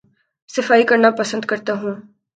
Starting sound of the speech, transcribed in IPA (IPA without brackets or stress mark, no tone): s